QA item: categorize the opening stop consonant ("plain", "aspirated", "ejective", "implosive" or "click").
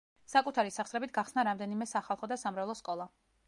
ejective